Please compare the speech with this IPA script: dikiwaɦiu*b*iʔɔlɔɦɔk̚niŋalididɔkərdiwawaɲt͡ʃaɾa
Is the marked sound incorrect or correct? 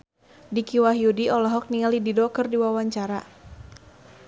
incorrect: d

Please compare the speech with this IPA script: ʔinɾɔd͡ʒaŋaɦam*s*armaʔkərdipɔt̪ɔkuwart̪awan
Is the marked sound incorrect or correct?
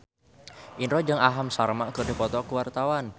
correct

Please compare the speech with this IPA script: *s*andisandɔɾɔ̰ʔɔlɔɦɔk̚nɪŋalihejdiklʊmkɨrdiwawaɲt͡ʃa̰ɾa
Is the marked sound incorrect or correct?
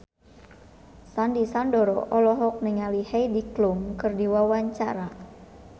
correct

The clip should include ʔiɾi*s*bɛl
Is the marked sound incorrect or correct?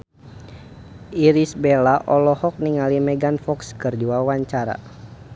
correct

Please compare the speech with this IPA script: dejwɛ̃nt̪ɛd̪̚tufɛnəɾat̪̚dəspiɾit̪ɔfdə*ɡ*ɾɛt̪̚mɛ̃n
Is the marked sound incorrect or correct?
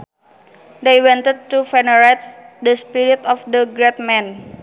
correct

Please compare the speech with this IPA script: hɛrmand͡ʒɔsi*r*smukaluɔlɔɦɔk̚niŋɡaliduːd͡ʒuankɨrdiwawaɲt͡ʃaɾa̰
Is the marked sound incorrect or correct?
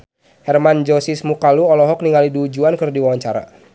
incorrect: none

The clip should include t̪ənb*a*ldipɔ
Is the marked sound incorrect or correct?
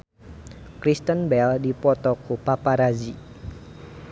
incorrect: ɛ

